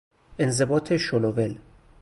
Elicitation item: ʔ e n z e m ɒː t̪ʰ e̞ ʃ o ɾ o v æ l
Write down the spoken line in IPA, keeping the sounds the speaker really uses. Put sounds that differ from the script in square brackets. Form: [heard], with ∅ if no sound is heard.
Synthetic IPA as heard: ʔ e n z e [b] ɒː t̪ʰ e̞ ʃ o [l] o v [e] l